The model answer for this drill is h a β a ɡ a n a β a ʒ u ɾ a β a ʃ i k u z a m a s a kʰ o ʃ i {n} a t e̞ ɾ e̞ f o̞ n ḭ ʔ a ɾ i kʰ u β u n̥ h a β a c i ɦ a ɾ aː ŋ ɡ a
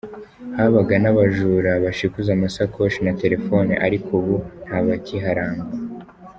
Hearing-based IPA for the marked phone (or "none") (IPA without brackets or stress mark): n